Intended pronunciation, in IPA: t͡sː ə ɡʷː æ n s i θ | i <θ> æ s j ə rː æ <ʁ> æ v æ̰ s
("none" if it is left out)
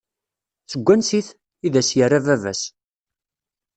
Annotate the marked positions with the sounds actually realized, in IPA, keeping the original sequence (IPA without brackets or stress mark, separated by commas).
ð, v